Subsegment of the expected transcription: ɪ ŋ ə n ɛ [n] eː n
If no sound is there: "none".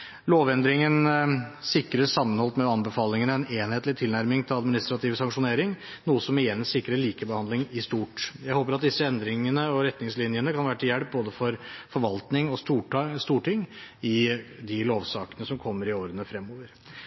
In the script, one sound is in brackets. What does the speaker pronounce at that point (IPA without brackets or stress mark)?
n